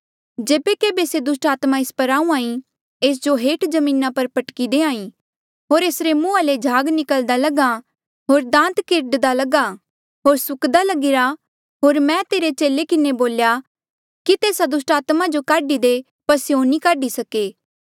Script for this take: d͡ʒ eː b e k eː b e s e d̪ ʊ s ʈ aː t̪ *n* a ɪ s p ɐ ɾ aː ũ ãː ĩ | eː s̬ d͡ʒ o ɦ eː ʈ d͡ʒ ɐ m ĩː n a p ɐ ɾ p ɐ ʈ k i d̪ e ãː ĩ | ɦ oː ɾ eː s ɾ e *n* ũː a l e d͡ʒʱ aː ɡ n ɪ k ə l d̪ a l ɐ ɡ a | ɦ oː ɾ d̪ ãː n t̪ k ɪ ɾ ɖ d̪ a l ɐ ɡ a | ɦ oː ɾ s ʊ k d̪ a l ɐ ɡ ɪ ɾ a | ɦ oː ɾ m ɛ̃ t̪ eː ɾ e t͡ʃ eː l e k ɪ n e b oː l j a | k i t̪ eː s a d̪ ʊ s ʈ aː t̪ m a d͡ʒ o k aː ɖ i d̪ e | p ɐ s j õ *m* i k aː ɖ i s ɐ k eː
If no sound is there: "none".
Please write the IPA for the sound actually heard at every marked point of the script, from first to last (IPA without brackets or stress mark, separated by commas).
m, m, n